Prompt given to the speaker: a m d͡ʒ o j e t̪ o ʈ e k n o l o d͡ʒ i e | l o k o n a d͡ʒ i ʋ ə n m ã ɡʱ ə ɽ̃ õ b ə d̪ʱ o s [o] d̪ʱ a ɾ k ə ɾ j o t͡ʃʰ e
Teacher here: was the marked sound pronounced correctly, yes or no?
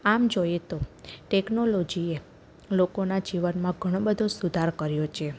no